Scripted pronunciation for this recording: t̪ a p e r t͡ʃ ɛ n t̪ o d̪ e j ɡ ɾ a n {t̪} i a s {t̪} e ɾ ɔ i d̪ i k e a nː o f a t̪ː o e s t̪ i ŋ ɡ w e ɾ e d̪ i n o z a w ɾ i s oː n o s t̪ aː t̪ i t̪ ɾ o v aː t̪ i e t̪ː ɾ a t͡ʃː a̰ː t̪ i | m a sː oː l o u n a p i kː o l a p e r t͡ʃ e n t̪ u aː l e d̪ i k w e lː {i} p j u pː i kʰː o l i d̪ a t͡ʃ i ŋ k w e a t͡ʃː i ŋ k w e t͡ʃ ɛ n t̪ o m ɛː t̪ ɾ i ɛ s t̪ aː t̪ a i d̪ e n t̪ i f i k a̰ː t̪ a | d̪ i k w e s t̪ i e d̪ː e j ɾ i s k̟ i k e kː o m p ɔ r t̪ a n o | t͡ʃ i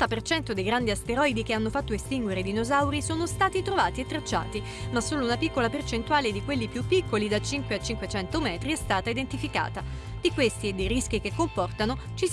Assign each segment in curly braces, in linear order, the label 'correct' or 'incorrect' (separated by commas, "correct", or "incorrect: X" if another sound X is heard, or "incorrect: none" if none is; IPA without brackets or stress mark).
incorrect: d̪, correct, correct